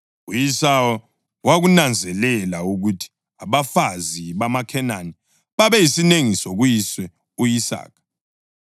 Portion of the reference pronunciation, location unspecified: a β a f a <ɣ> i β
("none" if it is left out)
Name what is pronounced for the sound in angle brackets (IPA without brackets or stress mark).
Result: z